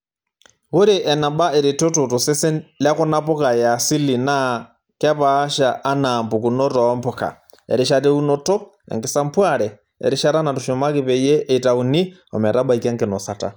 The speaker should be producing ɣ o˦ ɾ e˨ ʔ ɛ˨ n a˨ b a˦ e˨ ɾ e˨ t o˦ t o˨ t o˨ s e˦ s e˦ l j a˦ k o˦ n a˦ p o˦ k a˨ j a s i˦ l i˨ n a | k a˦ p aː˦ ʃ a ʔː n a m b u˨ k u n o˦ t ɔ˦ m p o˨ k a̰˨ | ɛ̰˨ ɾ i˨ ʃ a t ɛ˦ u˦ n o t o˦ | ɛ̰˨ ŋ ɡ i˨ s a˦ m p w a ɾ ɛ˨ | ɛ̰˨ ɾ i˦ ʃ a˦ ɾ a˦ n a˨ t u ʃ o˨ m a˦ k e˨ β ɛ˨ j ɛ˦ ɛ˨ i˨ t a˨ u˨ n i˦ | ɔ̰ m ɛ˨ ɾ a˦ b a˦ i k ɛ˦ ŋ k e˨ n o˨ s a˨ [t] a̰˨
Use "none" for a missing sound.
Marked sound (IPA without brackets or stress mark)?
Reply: t